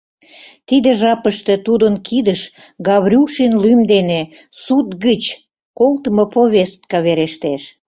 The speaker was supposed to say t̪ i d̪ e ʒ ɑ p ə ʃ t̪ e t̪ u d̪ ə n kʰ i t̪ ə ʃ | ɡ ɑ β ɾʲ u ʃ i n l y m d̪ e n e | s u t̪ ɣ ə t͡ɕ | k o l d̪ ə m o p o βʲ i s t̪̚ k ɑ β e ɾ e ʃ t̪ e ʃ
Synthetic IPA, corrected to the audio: t̪ i d̪ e ʒ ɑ p ə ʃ t̪ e t̪ u d̪ ə n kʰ i d̪ ə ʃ | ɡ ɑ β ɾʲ u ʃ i n l y m d̪ e n e | s u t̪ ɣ ə t͡ɕ | k o l t̪ ə m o p o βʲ e s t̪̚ k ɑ β e ɾ e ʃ t̪ e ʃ